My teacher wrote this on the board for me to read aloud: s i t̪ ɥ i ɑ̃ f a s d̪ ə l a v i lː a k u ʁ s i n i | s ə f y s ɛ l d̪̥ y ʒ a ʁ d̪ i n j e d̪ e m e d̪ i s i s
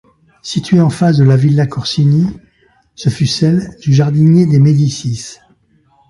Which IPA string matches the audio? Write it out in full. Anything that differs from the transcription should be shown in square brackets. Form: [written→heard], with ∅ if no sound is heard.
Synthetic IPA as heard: s i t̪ ɥ [i→e] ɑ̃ f a s d̪ ə l a v i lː a k [u→ɔ] ʁ s i n i | s ə f y s ɛ l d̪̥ y ʒ a ʁ d̪ i n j e d̪ e m e d̪ i s i s